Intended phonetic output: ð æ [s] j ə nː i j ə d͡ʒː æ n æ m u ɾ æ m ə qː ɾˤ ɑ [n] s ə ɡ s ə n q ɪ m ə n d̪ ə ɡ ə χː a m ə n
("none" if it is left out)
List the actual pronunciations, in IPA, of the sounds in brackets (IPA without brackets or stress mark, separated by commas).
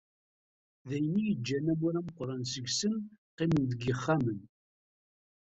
none, n